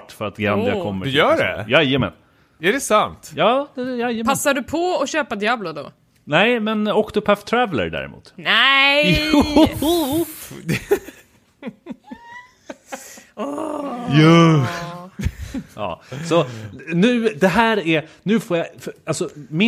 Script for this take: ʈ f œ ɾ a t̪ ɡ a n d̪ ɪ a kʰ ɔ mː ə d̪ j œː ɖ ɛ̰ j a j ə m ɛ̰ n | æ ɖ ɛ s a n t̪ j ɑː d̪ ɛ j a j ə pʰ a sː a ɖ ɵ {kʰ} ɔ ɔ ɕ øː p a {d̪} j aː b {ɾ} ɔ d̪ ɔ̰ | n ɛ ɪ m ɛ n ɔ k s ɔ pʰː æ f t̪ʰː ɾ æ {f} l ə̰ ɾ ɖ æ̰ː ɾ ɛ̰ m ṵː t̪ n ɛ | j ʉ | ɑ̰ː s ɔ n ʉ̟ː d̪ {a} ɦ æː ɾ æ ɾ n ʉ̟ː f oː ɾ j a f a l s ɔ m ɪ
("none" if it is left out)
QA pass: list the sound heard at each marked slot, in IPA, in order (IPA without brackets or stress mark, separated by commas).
pʰ, d̪, l, v, ɛ